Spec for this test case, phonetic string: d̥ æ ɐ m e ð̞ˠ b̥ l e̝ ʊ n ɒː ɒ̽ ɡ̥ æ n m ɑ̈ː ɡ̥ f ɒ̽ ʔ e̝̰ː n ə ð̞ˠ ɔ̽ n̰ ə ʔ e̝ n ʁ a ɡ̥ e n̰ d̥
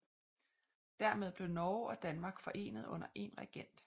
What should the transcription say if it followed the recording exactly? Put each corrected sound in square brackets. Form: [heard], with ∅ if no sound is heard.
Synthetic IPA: d̥ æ ɐ m e ð̞ˠ b̥ l e̝ ʊ n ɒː ɒ̽ [d̥] æ n m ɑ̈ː ɡ̥ f ɒ̽ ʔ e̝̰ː n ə ð̞ˠ ɔ̽ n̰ [ɐ] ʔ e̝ n ʁ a ɡ̥ e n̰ d̥